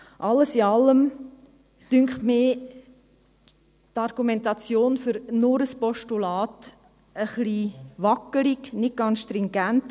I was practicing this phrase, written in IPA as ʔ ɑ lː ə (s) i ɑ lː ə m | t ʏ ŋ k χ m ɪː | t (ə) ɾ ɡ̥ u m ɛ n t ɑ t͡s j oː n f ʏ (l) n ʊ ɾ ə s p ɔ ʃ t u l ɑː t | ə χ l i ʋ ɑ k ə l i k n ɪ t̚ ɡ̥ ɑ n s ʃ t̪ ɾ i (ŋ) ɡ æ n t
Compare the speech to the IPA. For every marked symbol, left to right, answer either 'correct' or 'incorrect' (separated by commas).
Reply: correct, incorrect, incorrect, correct